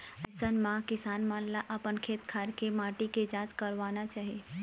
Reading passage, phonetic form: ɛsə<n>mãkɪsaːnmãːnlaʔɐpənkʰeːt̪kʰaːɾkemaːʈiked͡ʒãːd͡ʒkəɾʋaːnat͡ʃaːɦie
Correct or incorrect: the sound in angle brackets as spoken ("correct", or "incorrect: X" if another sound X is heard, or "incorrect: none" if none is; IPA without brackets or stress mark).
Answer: correct